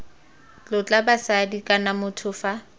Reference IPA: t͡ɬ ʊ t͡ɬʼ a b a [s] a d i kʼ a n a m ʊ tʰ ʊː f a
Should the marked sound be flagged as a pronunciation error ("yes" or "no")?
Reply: no